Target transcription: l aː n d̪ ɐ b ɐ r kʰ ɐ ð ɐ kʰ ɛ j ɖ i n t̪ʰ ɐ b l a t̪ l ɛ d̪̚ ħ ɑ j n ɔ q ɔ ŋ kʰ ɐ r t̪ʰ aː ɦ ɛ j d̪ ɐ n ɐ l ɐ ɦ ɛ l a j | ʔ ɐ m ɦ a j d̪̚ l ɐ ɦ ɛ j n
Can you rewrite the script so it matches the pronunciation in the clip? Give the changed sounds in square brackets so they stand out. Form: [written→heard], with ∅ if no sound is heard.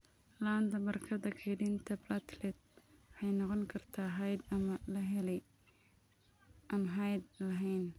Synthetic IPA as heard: l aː n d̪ ɐ b ɐ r kʰ ɐ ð ɐ kʰ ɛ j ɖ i n t̪ʰ ɐ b l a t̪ l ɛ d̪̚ ħ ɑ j n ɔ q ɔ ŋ kʰ ɐ r t̪ʰ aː ɦ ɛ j d̪ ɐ [n→m] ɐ l ɐ ɦ ɛ l [a→ɛ] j | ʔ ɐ m ɦ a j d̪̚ l ɐ ɦ ɛ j n